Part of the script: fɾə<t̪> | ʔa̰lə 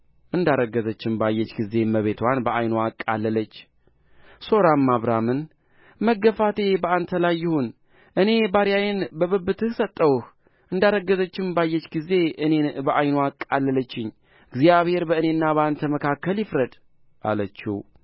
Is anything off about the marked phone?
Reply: yes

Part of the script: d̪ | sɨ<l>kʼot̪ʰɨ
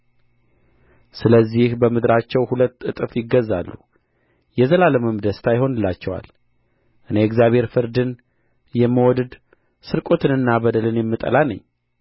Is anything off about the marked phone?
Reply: yes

